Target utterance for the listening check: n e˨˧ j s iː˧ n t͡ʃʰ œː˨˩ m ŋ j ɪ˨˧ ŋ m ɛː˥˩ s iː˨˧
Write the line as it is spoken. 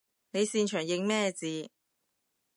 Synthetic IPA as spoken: n e˨˧ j s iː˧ n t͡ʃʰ œː˨˩ ŋ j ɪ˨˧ ŋ m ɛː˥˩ t͡s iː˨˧